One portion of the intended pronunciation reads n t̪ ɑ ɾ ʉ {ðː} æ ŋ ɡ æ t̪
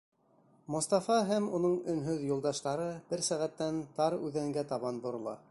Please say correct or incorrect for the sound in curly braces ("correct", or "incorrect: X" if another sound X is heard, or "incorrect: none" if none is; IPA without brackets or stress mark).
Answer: incorrect: ð